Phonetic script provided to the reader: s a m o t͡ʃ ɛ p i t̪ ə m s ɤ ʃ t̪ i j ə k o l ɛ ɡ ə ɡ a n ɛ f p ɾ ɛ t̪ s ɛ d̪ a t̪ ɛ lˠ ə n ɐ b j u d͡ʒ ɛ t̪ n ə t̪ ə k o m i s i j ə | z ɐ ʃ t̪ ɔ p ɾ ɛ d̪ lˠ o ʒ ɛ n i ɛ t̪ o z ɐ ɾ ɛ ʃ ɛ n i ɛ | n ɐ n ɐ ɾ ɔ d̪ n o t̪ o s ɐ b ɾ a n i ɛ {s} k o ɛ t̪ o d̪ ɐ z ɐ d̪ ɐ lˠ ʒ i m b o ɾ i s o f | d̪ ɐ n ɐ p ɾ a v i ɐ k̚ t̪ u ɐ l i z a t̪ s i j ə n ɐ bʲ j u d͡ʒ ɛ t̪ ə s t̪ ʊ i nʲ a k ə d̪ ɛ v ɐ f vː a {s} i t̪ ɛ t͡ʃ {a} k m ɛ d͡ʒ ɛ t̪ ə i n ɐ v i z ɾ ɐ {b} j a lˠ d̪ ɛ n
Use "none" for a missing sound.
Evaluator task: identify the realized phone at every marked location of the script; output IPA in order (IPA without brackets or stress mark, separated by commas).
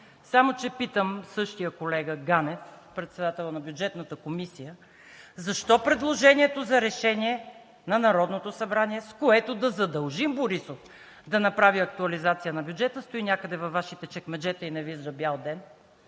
s, ʃ, ɛ, b